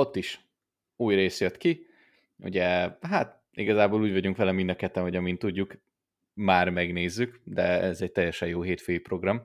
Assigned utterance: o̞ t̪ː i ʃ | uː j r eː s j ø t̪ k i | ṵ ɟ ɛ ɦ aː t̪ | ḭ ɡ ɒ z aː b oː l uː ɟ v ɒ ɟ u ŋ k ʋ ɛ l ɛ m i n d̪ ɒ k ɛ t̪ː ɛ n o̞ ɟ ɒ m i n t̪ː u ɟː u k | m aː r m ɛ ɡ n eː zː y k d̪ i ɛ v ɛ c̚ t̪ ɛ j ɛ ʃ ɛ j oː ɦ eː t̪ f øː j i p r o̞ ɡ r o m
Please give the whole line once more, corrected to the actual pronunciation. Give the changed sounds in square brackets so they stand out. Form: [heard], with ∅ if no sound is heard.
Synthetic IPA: o̞ t̪ː i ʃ | uː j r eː s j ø t̪ k i | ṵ ɟ ɛ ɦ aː t̪ | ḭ ɡ ɒ z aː b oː l uː ɟ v ɒ ɟ u ŋ k ʋ ɛ l ɛ m i n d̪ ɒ k ɛ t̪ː ɛ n o̞ ɟ ɒ m i n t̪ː u ɟː u k | m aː r m ɛ ɡ n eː zː y k d̪ [ɛ] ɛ [z] ɛ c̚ t̪ ɛ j ɛ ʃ ɛ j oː ɦ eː t̪ f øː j i p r o̞ ɡ r [ɒ] m